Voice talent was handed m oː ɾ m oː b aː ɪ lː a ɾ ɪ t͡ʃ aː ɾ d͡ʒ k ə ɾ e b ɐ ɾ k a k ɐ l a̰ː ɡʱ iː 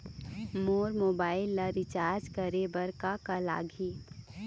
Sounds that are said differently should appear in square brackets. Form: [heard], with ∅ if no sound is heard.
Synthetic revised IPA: m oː ɾ m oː b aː ɪ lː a ɾ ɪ t͡ʃ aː ɾ d͡ʒ k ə ɾ e b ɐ ɾ k a k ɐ l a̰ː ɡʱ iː